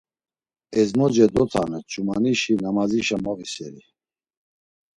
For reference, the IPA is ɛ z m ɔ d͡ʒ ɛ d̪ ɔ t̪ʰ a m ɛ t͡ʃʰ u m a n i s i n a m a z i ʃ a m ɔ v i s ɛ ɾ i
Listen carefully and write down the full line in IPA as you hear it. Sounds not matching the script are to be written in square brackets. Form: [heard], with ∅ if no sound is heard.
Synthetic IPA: ɛ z m ɔ d͡ʒ ɛ d̪ ɔ t̪ʰ a [n] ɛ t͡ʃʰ u m a n i [ʃ] i n a m a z i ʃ a m ɔ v i s ɛ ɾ i